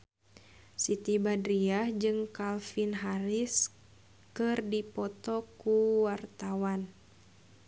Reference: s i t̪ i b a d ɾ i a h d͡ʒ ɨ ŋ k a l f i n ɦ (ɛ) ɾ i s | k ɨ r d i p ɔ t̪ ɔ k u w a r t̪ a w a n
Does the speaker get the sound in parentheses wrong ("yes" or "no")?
yes